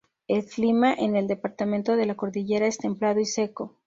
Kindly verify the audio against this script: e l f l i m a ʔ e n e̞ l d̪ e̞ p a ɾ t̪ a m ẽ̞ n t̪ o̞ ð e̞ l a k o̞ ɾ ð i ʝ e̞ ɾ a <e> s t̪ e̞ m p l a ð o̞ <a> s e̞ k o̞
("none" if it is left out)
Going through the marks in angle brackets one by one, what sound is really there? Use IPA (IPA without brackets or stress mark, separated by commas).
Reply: e, i